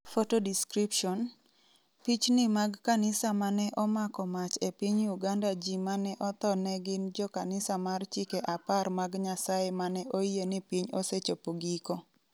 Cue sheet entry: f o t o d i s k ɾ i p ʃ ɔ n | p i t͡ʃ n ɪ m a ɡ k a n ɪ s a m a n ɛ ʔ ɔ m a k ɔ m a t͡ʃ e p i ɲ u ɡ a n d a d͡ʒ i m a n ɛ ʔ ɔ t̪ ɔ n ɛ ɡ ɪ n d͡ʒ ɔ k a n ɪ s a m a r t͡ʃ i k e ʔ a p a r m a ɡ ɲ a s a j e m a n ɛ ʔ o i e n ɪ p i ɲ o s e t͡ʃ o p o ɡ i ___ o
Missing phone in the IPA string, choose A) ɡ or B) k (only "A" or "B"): B